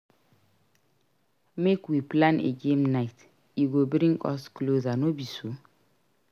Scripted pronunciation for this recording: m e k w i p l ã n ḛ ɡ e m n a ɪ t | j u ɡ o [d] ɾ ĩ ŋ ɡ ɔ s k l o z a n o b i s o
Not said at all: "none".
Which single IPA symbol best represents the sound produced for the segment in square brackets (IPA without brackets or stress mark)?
b